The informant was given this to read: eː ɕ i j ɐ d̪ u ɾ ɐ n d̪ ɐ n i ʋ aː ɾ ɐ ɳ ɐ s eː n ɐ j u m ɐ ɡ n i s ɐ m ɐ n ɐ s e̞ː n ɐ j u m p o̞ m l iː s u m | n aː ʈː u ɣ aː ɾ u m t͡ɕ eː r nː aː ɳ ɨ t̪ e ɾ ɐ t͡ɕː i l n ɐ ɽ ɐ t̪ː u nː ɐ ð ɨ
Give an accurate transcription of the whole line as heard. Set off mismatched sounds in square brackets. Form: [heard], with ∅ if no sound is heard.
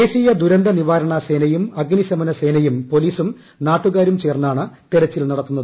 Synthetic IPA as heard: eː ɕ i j ɐ d̪ u ɾ ɐ n d̪ ɐ n i ʋ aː ɾ ɐ ɳ ɐ s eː n ɐ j u m ɐ ɡ n i s ɐ m ɐ n ɐ s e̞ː n ɐ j u m p o̞ [∅] l iː s u m | n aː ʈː u ɣ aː ɾ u m t͡ɕ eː r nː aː ɳ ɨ t̪ e ɾ ɐ t͡ɕː i l n ɐ ɽ ɐ t̪ː u nː ɐ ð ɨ